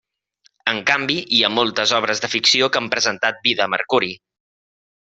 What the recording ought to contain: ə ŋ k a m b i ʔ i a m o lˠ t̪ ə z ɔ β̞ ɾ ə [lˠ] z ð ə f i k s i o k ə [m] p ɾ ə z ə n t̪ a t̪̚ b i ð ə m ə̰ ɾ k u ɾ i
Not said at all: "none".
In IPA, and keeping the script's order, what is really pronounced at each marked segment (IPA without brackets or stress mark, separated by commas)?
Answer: none, m